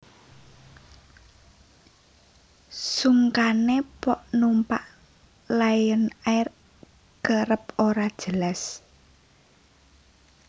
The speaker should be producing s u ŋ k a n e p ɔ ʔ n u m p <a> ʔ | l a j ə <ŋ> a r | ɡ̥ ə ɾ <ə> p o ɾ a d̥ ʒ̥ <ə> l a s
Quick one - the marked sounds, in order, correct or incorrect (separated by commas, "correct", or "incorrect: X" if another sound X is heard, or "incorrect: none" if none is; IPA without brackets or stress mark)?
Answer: correct, incorrect: n, correct, correct